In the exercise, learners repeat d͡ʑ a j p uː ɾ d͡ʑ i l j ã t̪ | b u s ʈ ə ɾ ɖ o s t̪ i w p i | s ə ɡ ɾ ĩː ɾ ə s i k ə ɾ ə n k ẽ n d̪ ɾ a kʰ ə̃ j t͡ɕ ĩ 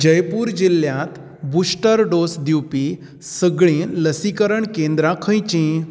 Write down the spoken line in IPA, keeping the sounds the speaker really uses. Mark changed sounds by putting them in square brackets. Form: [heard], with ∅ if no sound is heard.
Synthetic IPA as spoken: d͡ʑ [ə] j p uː ɾ d͡ʑ i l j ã t̪ | b u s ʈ ə ɾ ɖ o s [d̪] i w p i | s ə ɡ [ɭ] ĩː [l] ə s i k ə ɾ ə [ɳ] k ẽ n d̪ ɾ a kʰ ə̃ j t͡ɕ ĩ